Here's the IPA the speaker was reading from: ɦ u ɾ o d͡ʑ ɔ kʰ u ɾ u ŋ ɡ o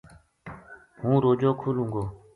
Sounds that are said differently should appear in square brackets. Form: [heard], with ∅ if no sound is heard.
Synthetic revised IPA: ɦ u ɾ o d͡ʑ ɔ kʰ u [l] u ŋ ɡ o